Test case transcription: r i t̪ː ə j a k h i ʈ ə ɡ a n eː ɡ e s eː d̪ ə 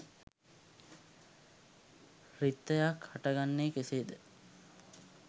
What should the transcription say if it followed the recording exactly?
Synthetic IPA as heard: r i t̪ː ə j a k h a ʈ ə ɡ a nː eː k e s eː d̪ ə